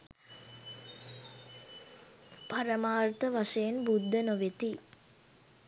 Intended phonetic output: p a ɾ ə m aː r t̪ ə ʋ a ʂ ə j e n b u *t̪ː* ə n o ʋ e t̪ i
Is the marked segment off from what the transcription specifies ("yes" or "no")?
yes